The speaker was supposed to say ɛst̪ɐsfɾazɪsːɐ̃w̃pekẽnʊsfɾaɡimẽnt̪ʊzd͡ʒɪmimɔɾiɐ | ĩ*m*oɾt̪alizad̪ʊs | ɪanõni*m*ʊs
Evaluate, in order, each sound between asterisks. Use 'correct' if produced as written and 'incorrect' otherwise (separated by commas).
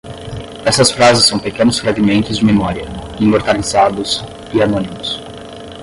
correct, correct